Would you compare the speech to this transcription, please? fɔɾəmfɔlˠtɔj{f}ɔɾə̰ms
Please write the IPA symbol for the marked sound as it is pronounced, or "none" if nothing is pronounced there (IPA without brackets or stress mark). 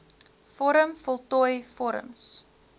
f